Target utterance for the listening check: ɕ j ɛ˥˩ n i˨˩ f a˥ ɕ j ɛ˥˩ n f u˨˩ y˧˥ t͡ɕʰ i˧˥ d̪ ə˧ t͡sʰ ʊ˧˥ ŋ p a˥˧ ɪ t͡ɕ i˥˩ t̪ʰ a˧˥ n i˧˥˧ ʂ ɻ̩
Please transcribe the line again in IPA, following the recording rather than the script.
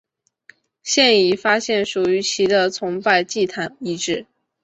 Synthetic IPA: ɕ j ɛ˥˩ n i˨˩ f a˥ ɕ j ɛ˥˩ n ʂ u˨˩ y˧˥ t͡ɕʰ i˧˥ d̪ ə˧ t͡sʰ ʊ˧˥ ŋ p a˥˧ ɪ t͡ɕ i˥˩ t̪ʰ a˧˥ n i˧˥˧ ʈ͡ʂ ɻ̩